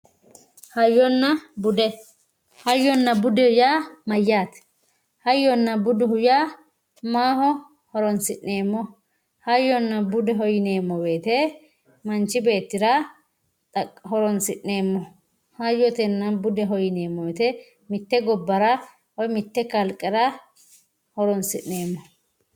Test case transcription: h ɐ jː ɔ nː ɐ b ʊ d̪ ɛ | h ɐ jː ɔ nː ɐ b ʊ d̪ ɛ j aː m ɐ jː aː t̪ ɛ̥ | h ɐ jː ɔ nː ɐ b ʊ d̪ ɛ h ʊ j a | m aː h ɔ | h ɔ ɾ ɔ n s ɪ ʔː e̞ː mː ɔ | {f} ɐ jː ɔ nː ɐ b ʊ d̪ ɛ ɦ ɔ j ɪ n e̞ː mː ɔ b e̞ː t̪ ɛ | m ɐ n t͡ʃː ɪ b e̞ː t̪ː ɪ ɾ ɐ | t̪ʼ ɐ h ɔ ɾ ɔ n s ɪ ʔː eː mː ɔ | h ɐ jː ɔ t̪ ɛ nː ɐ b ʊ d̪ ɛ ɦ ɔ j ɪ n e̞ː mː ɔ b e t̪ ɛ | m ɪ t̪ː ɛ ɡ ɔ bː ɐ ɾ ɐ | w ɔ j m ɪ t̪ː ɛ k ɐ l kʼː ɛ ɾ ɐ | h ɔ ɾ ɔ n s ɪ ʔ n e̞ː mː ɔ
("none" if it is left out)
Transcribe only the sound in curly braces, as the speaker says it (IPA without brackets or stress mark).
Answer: h